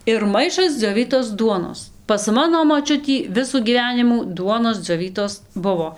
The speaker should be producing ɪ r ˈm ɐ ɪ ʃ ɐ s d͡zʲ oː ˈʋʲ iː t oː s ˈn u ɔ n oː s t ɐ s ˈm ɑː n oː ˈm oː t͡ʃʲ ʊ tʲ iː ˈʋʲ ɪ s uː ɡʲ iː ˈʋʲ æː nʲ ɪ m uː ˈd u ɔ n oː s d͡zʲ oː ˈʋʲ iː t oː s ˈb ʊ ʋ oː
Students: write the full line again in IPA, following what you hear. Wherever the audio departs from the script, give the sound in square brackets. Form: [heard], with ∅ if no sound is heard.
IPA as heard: ɪ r ˈm ɐ ɪ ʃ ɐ s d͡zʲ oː ˈʋʲ iː t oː s [ˈd] u ɔ n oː s [p] ɐ s ˈm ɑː n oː ˈm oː t͡ʃʲ ʊ tʲ iː ˈʋʲ ɪ s uː ɡʲ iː ˈʋʲ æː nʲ ɪ m uː ˈd u ɔ n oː s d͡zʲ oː ˈʋʲ iː t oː s ˈb ʊ ʋ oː